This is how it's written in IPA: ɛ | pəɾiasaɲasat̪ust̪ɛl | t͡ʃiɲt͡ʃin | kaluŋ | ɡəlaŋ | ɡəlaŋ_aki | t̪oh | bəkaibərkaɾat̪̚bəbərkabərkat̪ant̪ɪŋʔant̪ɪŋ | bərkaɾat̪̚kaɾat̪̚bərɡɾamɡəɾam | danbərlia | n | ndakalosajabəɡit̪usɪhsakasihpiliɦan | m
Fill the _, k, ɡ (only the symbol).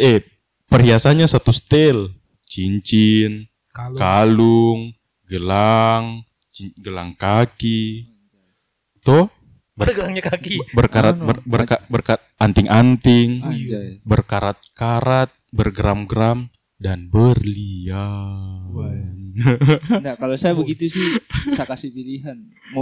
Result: k